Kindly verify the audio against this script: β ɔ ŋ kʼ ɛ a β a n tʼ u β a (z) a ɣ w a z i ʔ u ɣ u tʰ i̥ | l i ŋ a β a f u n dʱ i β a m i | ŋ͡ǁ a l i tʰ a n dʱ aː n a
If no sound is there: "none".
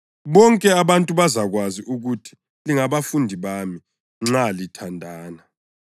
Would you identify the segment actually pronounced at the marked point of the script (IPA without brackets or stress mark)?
z